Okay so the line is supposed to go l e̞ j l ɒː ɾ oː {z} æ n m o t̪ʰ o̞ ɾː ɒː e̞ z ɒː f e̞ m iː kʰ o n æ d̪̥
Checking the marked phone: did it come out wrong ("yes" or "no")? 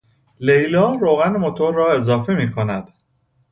yes